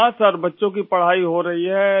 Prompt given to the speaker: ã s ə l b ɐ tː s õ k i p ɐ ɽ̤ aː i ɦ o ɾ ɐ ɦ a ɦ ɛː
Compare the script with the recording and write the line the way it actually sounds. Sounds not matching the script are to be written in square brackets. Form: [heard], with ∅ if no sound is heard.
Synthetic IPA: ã s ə [ɾ] b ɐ tː [ʃ] õ k i p ɐ ɽ̤ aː i ɦ o ɾ ɐ ɦ [i] ɦ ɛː